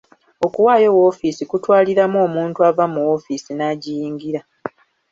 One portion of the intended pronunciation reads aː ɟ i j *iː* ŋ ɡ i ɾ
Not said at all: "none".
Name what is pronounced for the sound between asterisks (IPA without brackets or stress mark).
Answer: iː